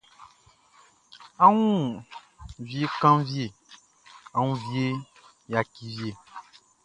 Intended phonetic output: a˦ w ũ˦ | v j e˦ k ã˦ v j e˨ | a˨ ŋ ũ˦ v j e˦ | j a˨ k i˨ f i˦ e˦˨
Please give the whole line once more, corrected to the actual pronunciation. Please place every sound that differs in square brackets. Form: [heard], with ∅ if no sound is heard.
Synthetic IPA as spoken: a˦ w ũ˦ | v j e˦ k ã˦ v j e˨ | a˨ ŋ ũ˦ v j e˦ | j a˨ k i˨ [v] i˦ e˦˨